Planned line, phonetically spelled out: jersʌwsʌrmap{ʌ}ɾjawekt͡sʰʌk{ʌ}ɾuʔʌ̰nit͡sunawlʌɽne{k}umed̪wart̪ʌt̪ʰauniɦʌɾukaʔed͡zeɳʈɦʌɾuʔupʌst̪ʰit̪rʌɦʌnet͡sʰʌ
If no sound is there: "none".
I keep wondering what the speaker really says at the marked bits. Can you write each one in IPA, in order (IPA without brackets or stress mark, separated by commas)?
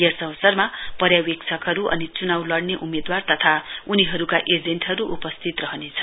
ʌ, ʌ, ʔ